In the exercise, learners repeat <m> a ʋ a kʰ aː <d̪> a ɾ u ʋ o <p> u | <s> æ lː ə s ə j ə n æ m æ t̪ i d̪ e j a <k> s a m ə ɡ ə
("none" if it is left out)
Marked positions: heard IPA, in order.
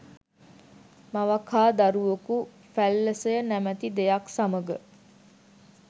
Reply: m, d̪, k, f, k

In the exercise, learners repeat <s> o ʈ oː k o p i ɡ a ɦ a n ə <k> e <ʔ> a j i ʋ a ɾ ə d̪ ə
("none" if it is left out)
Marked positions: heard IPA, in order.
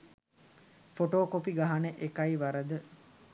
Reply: f, ʔ, k

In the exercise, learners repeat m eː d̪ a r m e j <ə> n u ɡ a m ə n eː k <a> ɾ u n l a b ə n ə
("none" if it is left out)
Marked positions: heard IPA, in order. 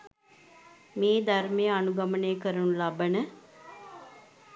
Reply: a, ə

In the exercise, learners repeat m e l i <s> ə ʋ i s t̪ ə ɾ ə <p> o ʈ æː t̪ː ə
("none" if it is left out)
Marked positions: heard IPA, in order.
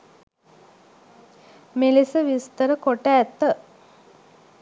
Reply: s, k

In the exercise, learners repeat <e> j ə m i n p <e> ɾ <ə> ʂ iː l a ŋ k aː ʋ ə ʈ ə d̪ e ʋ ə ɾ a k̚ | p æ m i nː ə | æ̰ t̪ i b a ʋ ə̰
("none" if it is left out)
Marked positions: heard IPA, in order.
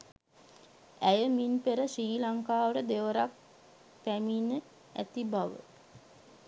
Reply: æ, e, ə

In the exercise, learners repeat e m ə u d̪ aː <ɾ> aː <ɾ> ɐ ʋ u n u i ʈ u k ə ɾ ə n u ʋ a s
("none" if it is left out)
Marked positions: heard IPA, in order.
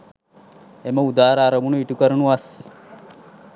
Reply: ɾ, ɾ

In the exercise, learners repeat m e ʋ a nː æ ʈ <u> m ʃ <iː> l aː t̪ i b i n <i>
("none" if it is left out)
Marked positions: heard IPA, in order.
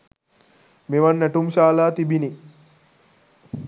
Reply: u, aː, i

